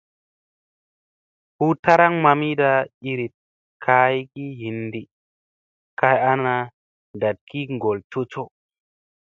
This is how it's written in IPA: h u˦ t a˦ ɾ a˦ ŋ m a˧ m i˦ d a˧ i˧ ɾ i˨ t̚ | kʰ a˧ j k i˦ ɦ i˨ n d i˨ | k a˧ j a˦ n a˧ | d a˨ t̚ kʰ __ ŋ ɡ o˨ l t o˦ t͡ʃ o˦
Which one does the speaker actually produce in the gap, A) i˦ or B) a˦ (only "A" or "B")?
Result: A